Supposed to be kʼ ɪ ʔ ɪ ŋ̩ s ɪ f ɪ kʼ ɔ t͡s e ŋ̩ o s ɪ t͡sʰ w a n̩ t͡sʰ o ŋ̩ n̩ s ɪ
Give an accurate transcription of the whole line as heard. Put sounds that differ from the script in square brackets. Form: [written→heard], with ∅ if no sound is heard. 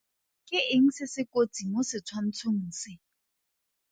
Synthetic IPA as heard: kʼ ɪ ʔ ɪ ŋ̩ s ɪ [f→s] ɪ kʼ [ɔ→o] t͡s [e→i] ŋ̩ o s ɪ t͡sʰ w a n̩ t͡sʰ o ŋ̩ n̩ s ɪ